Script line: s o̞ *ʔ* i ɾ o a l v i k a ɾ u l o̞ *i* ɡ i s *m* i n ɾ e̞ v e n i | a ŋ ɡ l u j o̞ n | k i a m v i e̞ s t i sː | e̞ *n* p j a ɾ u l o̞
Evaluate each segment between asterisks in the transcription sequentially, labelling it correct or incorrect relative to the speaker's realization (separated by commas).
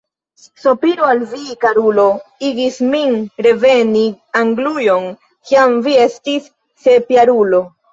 incorrect, correct, correct, incorrect